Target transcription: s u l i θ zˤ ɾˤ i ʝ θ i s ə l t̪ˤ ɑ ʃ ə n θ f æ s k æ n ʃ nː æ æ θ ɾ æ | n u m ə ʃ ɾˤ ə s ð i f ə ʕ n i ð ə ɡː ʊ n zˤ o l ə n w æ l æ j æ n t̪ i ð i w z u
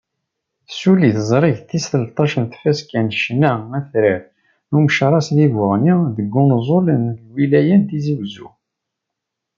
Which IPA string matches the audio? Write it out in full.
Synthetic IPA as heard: s u l i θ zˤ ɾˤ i ʝ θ i s ə l t̪ˤ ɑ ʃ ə n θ f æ s k æ n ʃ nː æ æ θ ɾ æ | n u m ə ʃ ɾˤ ɑ s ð i v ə ʁ n i ð ə ɡː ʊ n zˤ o l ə n w i l æ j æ n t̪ i z i w z u